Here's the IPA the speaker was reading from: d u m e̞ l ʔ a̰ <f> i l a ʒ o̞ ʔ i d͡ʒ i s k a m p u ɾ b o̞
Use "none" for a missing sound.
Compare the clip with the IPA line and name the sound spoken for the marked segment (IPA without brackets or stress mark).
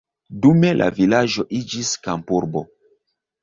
v